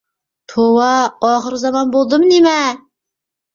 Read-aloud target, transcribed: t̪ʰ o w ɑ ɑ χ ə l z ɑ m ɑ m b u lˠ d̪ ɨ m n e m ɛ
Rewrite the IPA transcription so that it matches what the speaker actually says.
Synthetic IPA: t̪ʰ o w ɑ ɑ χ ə ɾ z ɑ m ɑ n b o lˠ d̪ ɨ m n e m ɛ